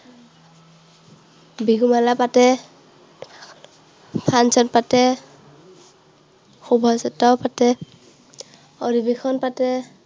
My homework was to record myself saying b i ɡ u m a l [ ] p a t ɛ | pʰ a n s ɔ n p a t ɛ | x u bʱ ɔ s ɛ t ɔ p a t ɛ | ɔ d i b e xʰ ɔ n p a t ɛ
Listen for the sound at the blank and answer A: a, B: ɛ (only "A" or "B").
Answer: A